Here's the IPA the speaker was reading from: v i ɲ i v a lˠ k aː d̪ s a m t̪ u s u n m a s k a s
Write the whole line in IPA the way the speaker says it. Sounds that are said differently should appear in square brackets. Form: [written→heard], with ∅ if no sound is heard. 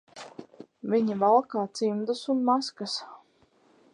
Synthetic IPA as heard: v i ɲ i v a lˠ k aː [d̪→t̪] s [a→i] m [t̪→d̪] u s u n m a s k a s

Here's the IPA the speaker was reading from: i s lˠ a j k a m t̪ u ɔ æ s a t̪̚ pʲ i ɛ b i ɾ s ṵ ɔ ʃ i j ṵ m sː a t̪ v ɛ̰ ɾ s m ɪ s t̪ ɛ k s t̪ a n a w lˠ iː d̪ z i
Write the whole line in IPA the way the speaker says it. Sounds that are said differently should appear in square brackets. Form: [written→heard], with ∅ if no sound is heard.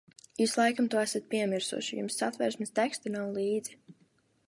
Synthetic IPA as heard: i s lˠ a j k a m t̪ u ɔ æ s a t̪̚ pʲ i ɛ [b→m] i ɾ s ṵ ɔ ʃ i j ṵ m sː a t̪ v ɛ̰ ɾ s m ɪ s t̪ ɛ k s t̪ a n a w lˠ iː d̪ z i

